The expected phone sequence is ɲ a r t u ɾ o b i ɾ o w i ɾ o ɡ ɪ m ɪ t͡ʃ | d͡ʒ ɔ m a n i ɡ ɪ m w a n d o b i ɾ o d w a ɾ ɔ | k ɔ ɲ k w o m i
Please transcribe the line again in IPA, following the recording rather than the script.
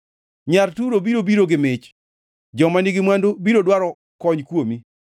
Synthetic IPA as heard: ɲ a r t u ɾ o b i ɾ o b i ɾ o ɡ ɪ m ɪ t͡ʃ | d͡ʒ ɔ m a n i ɡ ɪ m w a n d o b i ɾ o d w a ɾ ɔ | k ɔ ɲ k w o m i

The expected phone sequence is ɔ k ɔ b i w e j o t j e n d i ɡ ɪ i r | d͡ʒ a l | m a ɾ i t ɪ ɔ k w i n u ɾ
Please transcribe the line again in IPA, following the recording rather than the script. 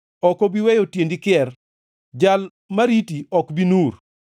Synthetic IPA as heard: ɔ k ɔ b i w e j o t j e n d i k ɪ ɛ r | d͡ʒ a l | m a ɾ i t i ɔ k b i n u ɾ

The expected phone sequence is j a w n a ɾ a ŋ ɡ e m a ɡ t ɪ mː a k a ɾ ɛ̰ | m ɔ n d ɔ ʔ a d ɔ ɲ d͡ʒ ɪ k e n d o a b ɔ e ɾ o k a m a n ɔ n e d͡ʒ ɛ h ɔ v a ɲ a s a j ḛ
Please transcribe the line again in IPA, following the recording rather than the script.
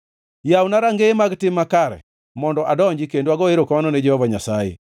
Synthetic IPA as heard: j a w n a ɾ a ŋ ɡ e m a ɡ t ɪ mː a k a ɾ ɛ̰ | m ɔ n d ɔ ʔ a d ɔ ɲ d͡ʒ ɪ k e n d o a ɡ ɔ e ɾ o k a m a n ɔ n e d͡ʒ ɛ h ɔ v a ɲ a s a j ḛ

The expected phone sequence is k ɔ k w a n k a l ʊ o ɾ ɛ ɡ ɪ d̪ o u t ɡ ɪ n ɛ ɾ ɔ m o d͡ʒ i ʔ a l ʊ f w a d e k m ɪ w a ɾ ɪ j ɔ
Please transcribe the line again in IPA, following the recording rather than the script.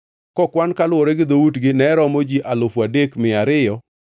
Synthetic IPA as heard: k ɔ k w a n k a l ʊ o ɾ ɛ ɡ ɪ d̪ o u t ɡ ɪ n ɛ ɾ ɔ m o d͡ʒ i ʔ a l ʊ f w a d e k m ɪ a ɾ ɪ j ɔ

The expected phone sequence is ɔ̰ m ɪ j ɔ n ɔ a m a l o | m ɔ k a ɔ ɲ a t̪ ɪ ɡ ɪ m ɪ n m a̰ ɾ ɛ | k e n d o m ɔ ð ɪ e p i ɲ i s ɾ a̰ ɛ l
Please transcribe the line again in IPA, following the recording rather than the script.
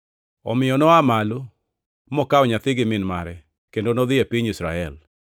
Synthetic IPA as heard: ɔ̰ m ɪ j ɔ n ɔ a m a l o | m ɔ k a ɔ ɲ a t̪ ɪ ɡ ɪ m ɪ n m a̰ ɾ ɛ | k e n d o n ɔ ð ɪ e p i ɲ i s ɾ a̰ ɛ l

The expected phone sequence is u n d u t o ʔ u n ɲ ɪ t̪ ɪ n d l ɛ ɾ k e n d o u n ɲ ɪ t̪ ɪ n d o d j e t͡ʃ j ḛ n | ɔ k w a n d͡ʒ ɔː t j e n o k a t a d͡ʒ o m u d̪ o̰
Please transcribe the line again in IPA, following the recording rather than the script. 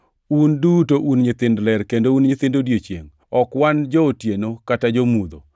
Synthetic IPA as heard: u n d u t o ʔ u n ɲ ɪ t̪ ɪ n d l ɛ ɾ k e n d o u n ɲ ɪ t̪ ɪ n d o d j e t͡ʃ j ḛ ŋ | ɔ k w a n d͡ʒ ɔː t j e n o k a t a d͡ʒ o m u d̪ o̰

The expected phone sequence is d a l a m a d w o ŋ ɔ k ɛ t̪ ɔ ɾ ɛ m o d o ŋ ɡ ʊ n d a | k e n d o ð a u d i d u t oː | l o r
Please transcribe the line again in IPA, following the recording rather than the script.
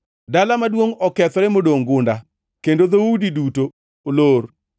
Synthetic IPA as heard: d a l a m a d w o ŋ ɔ k ɛ t̪ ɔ ɾ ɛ m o d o ŋ ɡ ʊ n d a | k e n d o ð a u d i d u t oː | l o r

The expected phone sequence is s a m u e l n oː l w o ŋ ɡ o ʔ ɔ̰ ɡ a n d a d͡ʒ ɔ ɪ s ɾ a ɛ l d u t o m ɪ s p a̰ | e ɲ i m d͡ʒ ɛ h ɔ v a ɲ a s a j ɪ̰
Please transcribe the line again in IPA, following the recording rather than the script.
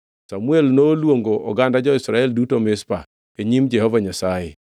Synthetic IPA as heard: s a m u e l n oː l w o ŋ ɡ o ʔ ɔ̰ ɡ a n d a d͡ʒ ɔ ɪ s ɾ a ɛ l d u t o m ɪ s p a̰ | e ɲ i m d͡ʒ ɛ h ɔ v a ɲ a s a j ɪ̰

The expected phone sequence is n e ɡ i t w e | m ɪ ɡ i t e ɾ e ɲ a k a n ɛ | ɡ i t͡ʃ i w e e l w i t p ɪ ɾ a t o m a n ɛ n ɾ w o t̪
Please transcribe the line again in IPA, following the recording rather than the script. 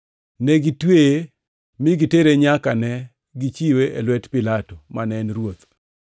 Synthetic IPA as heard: n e ɡ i t w e | m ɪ ɡ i t e ɾ e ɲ a k a n ɛ | ɡ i t͡ʃ i w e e l w ɛ t p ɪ l a t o m a n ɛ n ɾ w o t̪

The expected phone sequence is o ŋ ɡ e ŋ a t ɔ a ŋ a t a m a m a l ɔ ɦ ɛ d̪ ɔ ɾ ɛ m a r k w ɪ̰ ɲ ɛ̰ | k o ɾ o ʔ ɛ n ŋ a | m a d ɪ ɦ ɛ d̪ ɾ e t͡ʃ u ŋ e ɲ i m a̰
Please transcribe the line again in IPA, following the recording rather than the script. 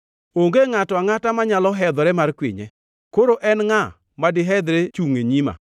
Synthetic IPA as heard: o ŋ ɡ e ŋ a t ɔ a ŋ a t a m a ɲ a l ɔ ɦ ɛ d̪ ɔ ɾ ɛ m a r k w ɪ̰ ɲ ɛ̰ | k o ɾ o ʔ ɛ n ŋ a | m a d ɪ ɦ ɛ d̪ ɾ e t͡ʃ u ŋ e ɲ i m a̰

